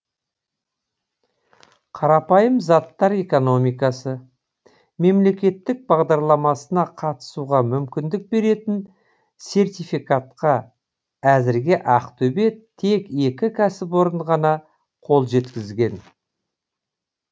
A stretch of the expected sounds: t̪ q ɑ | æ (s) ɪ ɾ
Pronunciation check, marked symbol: incorrect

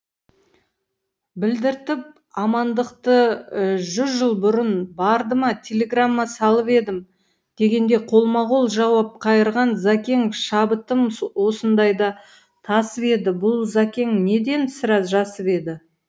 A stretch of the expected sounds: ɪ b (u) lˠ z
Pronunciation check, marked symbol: incorrect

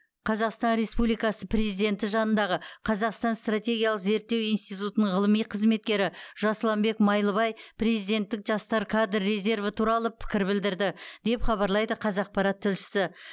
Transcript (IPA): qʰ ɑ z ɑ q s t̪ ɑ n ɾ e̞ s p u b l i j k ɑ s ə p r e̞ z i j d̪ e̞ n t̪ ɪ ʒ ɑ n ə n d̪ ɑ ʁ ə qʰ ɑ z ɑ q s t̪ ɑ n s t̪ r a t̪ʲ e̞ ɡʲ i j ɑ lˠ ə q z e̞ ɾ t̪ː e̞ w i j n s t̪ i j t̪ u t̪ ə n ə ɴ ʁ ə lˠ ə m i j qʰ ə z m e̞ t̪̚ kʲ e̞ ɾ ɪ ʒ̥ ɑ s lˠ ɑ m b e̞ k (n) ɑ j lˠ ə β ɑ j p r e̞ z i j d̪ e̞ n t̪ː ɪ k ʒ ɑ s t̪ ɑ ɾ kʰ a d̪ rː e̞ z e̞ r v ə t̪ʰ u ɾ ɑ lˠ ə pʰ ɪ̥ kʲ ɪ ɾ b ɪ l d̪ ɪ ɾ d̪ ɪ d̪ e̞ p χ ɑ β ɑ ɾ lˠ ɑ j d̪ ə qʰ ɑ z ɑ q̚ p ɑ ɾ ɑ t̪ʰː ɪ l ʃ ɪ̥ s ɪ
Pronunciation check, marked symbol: incorrect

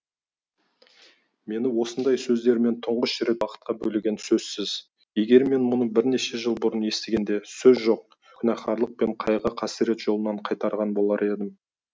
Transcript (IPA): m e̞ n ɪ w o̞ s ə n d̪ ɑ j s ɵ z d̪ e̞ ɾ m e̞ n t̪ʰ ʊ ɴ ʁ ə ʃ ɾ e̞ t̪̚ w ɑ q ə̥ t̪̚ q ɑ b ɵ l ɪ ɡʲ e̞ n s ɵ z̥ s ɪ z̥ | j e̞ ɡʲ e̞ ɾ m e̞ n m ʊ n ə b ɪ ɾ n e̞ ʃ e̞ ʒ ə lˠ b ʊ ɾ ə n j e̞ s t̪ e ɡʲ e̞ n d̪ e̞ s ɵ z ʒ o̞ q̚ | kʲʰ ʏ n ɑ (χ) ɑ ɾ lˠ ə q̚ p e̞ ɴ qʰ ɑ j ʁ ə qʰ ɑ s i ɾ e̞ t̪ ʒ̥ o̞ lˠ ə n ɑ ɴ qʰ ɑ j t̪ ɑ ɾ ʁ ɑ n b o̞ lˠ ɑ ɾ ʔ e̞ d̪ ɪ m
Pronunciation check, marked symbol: correct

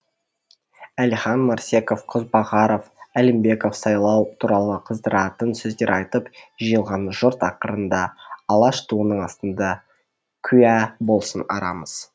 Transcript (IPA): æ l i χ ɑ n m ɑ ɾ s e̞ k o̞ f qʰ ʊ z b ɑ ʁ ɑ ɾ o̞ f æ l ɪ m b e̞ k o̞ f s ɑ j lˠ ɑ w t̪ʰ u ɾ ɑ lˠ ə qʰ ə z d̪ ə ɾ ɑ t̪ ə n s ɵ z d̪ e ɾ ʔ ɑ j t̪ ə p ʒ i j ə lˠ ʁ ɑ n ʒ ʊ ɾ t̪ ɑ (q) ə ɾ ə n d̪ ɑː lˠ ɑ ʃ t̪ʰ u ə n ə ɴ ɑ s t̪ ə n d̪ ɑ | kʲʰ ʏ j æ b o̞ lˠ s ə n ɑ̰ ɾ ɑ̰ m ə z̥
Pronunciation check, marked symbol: correct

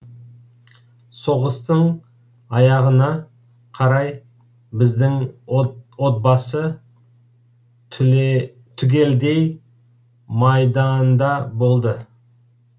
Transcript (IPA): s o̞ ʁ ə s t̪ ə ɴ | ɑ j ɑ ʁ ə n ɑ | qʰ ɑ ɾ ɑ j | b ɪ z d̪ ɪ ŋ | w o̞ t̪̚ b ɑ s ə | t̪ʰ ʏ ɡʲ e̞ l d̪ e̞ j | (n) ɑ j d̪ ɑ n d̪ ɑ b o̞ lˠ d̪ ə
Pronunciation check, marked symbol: incorrect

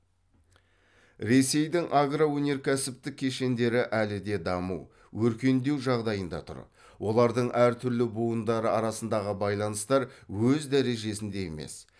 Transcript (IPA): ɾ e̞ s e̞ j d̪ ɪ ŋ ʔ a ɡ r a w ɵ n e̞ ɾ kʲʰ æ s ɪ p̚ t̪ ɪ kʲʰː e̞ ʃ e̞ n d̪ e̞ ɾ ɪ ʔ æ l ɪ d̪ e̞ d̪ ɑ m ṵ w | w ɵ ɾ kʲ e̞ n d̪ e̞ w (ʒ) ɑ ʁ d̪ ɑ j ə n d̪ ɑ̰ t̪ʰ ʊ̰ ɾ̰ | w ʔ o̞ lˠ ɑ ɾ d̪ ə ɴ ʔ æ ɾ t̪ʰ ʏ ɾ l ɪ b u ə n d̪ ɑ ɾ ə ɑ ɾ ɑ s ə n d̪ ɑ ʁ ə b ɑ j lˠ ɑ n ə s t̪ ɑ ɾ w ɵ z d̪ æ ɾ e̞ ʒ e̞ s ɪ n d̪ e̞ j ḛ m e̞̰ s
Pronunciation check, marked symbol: correct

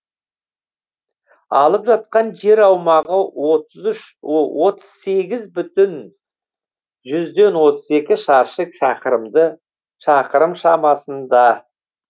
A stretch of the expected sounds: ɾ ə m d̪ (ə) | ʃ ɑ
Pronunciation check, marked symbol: correct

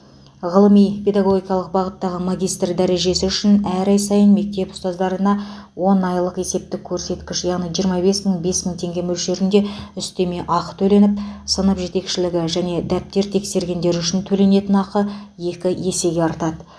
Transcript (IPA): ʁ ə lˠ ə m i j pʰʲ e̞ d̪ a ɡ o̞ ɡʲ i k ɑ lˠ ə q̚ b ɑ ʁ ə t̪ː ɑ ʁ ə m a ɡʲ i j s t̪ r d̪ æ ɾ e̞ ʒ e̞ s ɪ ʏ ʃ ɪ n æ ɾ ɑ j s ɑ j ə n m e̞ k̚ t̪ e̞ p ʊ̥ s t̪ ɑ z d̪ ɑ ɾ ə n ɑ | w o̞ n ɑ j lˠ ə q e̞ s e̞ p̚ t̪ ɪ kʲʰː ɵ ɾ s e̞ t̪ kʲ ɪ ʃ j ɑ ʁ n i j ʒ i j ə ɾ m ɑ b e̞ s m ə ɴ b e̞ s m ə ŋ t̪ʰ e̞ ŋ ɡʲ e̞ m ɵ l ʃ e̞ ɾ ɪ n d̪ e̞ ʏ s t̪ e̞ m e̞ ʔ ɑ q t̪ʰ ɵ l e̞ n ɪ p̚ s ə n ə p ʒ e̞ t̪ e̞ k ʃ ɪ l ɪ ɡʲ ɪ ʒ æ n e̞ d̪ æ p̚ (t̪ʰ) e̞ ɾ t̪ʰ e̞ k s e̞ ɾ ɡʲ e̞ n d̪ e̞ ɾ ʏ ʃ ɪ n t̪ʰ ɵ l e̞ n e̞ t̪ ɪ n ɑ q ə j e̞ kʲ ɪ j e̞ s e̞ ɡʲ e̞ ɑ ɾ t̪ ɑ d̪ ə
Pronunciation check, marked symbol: incorrect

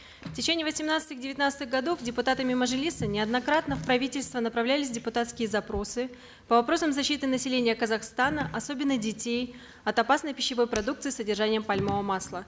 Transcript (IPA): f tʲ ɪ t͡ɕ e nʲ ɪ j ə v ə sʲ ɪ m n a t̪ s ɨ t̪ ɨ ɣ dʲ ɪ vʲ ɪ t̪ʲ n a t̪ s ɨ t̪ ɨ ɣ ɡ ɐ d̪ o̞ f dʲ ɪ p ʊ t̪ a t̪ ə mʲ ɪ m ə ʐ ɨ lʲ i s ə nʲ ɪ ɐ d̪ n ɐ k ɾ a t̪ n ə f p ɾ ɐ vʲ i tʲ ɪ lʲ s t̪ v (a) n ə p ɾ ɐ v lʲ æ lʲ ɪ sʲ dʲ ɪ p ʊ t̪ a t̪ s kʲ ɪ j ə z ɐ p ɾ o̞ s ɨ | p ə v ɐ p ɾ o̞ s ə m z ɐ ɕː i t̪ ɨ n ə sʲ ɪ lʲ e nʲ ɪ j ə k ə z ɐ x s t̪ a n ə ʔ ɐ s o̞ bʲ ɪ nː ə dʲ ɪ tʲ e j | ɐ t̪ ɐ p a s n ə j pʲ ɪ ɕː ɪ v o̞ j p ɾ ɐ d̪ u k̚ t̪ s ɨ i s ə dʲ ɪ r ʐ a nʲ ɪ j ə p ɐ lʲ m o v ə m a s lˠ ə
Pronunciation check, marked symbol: incorrect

